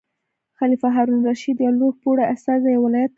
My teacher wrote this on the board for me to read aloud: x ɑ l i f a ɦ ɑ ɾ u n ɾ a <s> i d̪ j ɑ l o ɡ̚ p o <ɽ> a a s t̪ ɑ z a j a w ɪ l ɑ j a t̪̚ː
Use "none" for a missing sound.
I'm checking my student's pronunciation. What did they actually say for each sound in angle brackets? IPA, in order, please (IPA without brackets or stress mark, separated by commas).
ʃ, ɽ